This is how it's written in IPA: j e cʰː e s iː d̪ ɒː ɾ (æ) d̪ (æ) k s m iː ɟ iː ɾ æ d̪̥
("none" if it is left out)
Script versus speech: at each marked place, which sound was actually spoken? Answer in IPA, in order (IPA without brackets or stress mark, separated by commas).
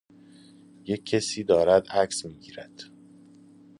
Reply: æ, æ